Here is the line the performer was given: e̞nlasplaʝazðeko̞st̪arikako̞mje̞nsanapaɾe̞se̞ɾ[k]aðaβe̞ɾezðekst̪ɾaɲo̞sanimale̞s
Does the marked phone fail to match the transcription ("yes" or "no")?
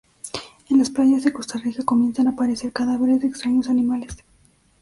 no